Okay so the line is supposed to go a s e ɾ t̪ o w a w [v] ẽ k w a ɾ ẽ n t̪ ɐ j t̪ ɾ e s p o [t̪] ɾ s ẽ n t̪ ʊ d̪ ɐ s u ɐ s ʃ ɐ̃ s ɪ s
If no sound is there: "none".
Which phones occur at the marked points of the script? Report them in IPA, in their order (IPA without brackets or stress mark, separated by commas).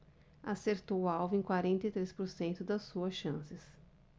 v, none